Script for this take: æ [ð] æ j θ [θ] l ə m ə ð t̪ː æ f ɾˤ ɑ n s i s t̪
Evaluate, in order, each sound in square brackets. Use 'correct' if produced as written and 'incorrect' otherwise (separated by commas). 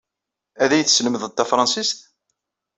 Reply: correct, incorrect